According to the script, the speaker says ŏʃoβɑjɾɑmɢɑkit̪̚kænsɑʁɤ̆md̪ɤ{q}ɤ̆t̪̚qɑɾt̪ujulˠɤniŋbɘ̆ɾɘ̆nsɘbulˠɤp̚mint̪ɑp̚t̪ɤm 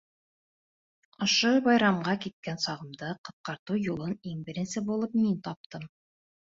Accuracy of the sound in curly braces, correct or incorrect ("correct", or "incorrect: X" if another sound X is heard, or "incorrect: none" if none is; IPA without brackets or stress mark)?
correct